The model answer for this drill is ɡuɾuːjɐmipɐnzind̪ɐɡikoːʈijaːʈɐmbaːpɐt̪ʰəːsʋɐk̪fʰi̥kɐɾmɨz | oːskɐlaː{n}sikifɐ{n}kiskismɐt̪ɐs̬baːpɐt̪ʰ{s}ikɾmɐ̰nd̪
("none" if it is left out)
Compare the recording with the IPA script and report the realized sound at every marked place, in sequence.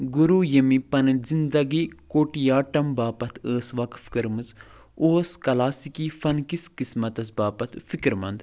none, n, f

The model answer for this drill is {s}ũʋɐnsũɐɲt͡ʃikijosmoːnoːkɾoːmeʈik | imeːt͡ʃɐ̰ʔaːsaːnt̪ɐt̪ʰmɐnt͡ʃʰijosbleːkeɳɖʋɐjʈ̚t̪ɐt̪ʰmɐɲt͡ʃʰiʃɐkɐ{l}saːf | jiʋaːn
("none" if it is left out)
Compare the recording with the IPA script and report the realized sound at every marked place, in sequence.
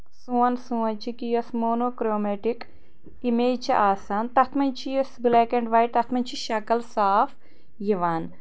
s, l

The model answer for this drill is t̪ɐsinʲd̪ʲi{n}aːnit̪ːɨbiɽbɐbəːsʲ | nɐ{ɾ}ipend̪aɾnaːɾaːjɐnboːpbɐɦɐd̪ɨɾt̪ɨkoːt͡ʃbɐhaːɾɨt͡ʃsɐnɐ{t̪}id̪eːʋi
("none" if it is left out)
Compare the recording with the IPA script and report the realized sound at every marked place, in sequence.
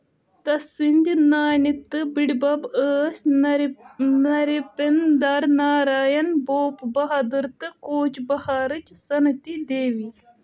n, ɾ, t̪

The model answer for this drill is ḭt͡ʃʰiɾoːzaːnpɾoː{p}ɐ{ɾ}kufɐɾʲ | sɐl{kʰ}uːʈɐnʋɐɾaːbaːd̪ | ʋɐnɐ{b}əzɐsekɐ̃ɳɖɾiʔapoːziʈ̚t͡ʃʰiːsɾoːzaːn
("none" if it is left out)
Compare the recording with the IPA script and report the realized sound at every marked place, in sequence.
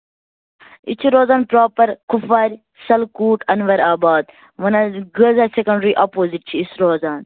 p, ɾ, k, ɡ

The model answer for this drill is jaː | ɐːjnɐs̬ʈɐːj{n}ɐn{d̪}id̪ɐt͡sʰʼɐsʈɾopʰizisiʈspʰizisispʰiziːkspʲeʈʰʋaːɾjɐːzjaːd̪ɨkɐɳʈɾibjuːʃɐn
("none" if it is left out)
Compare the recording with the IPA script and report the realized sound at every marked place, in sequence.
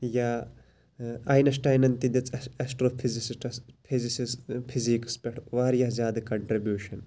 n, t̪

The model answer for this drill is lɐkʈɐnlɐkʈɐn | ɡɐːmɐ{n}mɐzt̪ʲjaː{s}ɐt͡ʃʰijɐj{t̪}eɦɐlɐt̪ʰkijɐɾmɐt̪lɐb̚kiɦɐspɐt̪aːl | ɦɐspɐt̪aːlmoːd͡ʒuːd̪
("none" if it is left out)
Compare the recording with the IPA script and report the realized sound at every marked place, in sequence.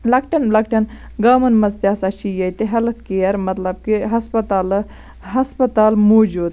n, s, t̪

